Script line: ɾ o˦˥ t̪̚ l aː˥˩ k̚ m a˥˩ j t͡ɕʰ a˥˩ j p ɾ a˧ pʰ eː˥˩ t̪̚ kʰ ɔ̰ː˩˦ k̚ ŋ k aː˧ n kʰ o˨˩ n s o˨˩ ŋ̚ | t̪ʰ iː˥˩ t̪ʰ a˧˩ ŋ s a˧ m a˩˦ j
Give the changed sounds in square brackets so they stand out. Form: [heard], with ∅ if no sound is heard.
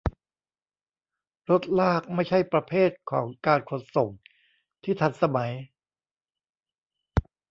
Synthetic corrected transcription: ɾ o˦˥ t̪̚ l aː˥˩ k̚ m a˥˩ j t͡ɕʰ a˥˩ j p ɾ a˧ pʰ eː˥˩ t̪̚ kʰ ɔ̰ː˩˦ [∅] ŋ k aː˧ n kʰ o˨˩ n s o˨˩ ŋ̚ | t̪ʰ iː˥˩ t̪ʰ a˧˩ [n] s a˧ m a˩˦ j